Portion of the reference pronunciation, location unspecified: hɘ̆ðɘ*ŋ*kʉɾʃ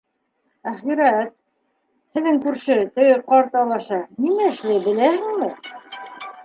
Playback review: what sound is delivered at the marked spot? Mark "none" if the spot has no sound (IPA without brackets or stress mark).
ŋ